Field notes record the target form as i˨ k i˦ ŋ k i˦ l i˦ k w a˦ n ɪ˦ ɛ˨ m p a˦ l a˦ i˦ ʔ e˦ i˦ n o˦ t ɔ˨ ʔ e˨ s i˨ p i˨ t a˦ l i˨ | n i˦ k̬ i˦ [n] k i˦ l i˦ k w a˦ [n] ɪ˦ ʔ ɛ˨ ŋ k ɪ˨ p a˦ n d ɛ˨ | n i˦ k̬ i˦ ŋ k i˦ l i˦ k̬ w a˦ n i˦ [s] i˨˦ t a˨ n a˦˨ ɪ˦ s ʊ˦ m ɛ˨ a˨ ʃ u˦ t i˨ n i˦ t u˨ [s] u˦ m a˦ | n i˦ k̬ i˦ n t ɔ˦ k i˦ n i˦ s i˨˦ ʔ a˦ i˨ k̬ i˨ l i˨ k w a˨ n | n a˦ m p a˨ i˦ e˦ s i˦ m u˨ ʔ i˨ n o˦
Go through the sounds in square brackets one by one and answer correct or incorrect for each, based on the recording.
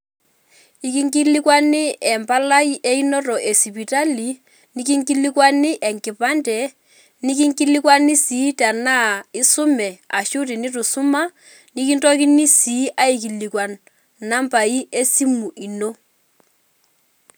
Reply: incorrect: ŋ, correct, correct, correct

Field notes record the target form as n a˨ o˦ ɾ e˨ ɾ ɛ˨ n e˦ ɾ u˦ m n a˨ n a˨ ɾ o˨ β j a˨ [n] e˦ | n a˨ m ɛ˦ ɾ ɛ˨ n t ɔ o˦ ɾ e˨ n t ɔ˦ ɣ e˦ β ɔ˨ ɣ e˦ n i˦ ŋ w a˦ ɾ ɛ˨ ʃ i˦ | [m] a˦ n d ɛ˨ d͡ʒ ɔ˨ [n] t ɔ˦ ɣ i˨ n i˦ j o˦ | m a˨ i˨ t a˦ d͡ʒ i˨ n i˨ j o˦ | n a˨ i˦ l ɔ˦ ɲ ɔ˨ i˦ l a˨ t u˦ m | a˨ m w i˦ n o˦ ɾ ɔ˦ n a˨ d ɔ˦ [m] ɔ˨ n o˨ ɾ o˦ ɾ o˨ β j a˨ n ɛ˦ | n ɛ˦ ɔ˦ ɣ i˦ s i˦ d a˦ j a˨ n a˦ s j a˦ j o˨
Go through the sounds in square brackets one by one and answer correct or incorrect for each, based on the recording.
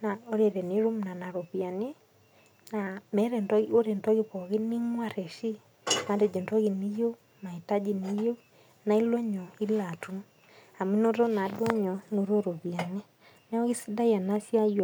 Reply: correct, correct, correct, incorrect: ɲ

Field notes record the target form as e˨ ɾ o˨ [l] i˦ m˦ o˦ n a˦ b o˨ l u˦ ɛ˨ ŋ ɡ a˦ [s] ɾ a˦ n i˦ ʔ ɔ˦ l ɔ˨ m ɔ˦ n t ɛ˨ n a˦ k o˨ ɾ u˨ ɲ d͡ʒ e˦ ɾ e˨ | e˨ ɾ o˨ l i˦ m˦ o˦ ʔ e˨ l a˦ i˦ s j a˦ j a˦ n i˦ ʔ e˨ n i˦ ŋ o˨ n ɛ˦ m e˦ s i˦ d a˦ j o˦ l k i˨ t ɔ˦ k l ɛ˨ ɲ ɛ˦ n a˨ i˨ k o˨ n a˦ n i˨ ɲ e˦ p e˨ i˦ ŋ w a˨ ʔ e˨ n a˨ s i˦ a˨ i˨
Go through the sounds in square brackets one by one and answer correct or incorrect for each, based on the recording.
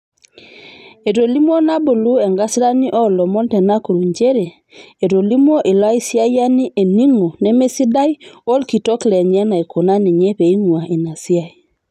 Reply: correct, correct

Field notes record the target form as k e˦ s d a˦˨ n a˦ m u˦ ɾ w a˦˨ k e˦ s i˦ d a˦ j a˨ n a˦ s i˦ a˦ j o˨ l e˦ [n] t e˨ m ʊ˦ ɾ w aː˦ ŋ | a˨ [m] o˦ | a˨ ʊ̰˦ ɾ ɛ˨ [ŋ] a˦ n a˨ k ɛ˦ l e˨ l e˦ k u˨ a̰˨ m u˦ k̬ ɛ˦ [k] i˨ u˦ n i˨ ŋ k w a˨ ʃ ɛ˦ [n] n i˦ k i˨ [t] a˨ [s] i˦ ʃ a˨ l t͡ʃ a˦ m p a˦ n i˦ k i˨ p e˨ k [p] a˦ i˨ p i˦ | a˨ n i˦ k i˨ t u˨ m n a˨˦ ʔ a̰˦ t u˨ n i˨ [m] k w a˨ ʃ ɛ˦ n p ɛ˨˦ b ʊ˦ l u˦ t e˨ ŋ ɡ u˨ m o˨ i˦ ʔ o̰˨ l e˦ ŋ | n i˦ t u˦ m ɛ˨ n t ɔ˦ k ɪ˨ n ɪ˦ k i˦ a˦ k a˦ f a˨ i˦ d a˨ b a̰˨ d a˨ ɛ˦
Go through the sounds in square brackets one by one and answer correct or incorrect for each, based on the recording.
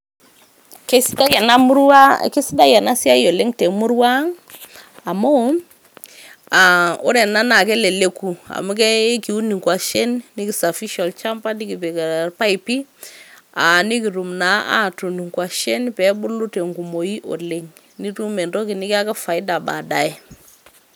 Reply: incorrect: ŋ, correct, incorrect: n, correct, correct, incorrect: s, incorrect: f, correct, incorrect: ŋ

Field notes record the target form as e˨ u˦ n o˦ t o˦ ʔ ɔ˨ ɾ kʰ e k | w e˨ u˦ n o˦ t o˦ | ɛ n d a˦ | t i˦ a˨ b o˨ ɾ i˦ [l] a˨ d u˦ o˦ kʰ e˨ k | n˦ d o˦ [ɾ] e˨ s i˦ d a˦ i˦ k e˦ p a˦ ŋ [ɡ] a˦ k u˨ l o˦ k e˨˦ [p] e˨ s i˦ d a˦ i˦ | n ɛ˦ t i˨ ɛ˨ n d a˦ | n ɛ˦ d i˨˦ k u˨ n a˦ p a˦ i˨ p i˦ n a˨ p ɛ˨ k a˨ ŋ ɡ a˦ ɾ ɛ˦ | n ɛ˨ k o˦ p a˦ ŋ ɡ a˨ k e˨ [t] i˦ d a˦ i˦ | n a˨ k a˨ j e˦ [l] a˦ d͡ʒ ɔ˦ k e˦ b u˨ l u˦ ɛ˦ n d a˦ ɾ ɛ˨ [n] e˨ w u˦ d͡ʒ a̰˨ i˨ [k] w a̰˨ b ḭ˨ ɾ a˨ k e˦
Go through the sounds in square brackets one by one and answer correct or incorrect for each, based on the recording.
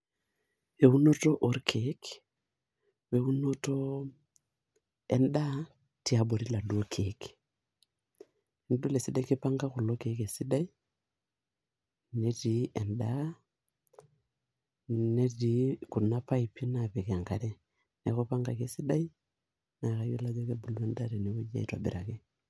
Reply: correct, incorrect: l, correct, incorrect: k, incorrect: s, correct, correct, incorrect: t

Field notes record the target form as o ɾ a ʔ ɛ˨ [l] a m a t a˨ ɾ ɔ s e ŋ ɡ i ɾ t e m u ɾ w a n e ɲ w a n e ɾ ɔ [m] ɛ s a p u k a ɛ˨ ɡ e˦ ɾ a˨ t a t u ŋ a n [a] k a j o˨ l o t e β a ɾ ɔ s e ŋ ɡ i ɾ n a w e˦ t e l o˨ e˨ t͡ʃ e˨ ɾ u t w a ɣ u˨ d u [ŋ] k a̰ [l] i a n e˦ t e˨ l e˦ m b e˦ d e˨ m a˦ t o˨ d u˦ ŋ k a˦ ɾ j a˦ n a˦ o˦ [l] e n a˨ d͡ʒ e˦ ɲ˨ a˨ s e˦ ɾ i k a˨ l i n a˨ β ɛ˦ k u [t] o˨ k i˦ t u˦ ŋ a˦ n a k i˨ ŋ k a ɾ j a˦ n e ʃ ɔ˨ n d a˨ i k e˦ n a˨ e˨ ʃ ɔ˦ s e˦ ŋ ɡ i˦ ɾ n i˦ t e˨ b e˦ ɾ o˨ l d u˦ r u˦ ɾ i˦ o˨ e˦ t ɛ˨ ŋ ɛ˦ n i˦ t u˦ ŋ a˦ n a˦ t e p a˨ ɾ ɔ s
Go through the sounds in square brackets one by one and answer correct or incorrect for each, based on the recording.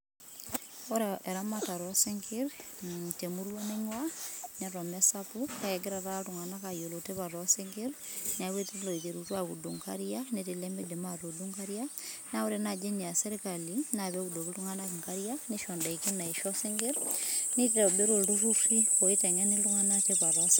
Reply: incorrect: ɾ, correct, correct, correct, incorrect: ɾ, incorrect: ɾ, incorrect: d

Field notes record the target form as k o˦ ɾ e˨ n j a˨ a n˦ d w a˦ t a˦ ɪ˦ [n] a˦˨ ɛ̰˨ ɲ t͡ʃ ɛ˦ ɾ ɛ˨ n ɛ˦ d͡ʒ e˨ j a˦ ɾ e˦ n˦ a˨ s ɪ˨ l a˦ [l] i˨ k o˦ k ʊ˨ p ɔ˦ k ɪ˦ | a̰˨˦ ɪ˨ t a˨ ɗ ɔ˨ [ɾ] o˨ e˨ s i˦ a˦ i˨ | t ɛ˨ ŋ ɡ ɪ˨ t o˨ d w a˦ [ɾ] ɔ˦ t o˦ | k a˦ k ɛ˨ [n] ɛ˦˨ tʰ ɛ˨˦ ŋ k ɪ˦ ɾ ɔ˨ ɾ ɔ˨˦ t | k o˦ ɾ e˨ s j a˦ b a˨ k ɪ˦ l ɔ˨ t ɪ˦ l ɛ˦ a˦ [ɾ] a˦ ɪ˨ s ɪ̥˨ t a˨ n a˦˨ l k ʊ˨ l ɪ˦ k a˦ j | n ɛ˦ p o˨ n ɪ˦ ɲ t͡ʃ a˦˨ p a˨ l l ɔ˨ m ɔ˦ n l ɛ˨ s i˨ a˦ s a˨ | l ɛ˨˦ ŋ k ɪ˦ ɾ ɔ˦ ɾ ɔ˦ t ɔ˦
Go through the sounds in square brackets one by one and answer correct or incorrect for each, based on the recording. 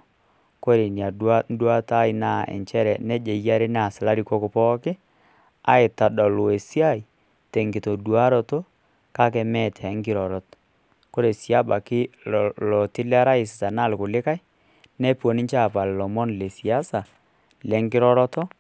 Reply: correct, incorrect: ɾ, incorrect: l, correct, incorrect: m, correct

